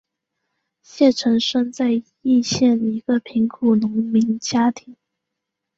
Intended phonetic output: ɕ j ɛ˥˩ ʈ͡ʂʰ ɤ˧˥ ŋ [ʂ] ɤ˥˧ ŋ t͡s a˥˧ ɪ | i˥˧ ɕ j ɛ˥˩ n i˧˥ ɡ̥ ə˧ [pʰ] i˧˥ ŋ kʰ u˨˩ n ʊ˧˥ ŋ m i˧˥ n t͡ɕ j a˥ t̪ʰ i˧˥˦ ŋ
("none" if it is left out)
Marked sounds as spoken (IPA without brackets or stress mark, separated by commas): ʂ, pʰ